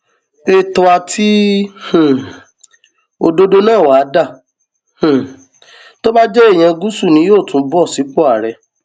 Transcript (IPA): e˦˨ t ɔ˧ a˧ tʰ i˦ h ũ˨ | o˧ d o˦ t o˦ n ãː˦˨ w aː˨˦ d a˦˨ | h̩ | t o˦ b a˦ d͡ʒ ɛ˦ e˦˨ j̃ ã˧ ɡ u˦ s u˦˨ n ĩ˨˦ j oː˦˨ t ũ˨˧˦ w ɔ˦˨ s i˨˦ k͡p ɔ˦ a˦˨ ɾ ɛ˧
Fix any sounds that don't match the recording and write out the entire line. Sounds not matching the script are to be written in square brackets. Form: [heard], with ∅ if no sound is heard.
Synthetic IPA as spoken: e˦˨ t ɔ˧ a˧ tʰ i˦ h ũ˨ | o˧ d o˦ [d] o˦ n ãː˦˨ w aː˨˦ d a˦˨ | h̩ | t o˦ b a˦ d͡ʒ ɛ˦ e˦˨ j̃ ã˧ ɡ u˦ s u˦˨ n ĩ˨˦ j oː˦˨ t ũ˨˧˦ [b] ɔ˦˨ s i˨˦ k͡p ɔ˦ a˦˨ ɾ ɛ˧